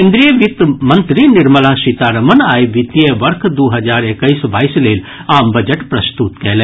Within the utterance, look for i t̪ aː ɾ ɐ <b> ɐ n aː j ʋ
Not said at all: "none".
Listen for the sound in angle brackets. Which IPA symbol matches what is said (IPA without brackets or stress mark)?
m